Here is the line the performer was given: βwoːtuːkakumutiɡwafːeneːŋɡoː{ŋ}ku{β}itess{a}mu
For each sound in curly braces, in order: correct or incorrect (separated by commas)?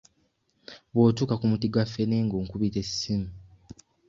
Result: correct, correct, incorrect